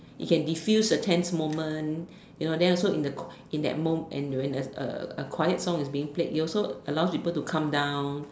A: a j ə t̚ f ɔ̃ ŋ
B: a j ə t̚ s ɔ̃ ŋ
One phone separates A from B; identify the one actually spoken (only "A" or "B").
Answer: B